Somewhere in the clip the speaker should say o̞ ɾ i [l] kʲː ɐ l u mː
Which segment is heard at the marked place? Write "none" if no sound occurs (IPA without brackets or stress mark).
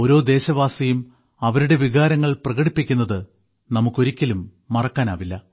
none